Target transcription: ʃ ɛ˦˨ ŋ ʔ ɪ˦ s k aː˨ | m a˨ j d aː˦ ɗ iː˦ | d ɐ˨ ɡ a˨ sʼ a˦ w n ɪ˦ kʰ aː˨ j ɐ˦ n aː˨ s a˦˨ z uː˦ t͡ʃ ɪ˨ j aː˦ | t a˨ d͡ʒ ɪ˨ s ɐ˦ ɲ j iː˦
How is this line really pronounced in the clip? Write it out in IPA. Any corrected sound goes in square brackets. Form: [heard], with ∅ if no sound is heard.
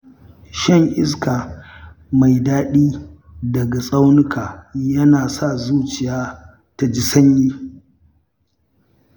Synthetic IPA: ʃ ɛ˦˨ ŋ ʔ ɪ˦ s k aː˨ | m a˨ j d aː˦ ɗ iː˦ | d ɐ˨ ɡ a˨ sʼ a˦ w n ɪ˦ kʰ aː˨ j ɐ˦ n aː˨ s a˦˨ z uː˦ t͡ʃ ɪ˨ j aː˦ | t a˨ d͡ʒ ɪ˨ s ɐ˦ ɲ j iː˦